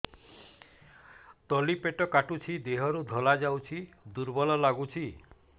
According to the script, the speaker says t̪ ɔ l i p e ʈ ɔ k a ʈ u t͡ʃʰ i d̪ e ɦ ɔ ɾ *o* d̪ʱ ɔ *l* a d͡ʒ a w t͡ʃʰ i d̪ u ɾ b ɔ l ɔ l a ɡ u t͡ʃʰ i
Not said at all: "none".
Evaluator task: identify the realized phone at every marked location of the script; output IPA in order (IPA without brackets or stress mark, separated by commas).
u, l